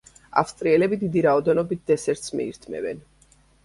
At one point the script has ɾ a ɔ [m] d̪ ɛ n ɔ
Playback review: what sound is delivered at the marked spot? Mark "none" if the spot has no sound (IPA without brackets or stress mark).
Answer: none